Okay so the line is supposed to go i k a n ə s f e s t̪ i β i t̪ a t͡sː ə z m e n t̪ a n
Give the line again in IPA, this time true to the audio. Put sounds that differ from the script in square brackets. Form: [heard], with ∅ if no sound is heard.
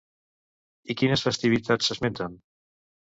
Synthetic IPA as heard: i k [i] n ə s f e s t̪ i β i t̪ a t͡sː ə z m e n t̪ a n